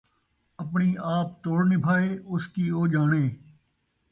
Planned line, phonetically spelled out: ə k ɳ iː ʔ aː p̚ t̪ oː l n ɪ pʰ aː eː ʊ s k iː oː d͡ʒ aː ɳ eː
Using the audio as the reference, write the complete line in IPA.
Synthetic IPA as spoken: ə p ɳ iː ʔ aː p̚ t̪ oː ɽ n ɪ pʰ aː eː ʊ s k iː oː d͡ʒ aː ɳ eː

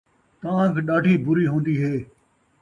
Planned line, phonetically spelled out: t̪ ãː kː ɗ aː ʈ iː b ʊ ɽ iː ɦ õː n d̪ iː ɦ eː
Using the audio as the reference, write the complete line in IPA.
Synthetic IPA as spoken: t̪ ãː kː ɗ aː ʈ iː b ʊ ɾ iː ɦ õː n d̪ iː ɦ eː

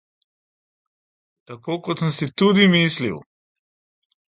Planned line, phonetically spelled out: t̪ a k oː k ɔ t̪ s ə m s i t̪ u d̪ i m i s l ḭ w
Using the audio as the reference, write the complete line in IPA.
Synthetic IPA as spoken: t̪ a k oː k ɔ t̪ s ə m s i t̪ u d̪ i m i s l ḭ w

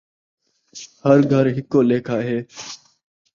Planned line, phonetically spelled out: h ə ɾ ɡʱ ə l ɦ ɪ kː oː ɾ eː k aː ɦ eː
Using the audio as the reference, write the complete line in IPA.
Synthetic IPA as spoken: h ə ɾ ɡʱ ə ɾ ɦ ɪ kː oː l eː kʰ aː ɦ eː

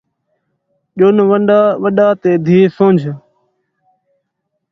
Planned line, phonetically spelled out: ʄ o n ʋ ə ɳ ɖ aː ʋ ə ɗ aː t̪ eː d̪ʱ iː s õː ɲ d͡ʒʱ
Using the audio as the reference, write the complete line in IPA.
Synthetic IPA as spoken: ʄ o n ʋ ə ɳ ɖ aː ʋ ə ɗ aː t̪ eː d̪ʱ iː s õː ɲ d͡ʒʱ

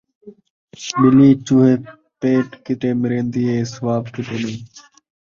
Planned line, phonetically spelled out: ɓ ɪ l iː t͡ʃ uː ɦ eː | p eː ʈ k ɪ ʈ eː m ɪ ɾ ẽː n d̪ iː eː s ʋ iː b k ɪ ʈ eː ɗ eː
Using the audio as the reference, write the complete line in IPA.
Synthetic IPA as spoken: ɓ ɪ l iː t͡ʃ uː ɦ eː | p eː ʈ k ɪ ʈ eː m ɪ ɾ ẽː n d̪ iː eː s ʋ aː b k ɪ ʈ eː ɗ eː

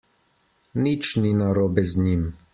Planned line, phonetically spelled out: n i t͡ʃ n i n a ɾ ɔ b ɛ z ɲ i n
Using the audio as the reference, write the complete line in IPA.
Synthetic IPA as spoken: n i t͡ʃ n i n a ɾ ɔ b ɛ z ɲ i m

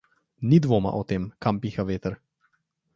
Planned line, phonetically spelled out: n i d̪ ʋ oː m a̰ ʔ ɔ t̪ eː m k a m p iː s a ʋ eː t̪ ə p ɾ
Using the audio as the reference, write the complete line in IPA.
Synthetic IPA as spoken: n i d̪ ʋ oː m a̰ ʔ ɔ t̪ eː m k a m p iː x a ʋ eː t̪ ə ɾ

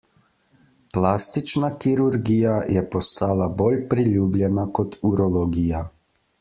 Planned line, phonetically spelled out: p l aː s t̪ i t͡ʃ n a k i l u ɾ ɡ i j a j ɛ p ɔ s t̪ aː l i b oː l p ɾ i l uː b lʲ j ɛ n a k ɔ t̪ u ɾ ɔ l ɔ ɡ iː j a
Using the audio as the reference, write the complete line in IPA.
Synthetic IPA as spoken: p l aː s t̪ i t͡ʃ n a k i ɾ u ɾ ɡ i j a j ɛ p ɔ s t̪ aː l a b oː l p ɾ i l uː b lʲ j ɛ n a k ɔ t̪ u ɾ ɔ l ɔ ɡ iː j a

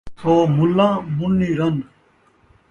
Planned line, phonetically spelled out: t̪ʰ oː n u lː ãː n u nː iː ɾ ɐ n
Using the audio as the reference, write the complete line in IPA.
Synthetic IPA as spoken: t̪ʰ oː m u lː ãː m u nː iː ɾ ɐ n

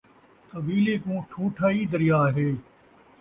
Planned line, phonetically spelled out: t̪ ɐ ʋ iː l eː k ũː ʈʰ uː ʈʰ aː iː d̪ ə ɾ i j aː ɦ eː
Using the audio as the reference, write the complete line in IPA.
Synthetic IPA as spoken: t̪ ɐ ʋ iː l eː k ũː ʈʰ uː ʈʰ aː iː d̪ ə ɾ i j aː ɦ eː

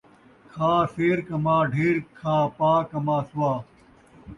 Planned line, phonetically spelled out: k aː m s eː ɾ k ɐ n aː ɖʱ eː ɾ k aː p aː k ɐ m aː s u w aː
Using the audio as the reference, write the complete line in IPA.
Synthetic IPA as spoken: kʰ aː s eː ɾ k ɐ m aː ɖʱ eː ɾ kʰ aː p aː k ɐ m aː s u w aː

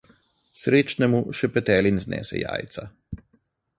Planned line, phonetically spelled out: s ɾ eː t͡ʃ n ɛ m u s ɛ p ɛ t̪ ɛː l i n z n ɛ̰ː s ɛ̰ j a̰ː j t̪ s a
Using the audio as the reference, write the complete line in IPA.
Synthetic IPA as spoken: s ɾ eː t͡ʃ n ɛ m u ʃ ɛ p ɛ t̪ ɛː l i n z n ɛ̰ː s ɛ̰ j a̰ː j t̪ s a

